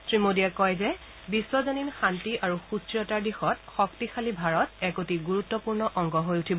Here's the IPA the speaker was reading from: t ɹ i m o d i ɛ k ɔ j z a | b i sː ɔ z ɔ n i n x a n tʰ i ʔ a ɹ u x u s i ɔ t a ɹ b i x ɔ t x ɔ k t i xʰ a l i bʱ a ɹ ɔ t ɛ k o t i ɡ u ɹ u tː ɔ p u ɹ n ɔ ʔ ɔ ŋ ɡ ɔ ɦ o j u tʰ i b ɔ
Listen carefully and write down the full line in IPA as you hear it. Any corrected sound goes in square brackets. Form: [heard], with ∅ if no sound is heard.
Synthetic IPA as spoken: t ɹ i m o d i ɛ k ɔ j z [ɛ] | b i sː ɔ z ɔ n i n x a n [t] i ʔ a ɹ u x u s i ɔ t a ɹ [d] i x ɔ t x ɔ k t i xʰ a l i bʱ a ɹ ɔ t ɛ k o t i ɡ u ɹ u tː ɔ p u ɹ n ɔ ʔ ɔ ŋ ɡ ɔ ɦ o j u tʰ i b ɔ